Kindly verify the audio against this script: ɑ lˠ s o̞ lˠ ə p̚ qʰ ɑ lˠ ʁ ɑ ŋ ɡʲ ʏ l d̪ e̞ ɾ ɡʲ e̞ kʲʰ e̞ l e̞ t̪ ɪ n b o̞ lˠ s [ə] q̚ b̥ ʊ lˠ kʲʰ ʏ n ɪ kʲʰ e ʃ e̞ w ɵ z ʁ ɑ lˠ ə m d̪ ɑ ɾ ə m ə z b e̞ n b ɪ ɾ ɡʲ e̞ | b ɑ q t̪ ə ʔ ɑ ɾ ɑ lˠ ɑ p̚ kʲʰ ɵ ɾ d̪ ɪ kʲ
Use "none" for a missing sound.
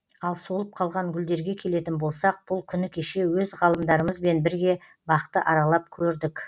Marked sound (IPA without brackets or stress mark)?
ɑ